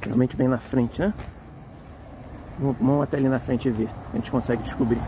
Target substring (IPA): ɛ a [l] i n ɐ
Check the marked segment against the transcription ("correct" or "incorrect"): correct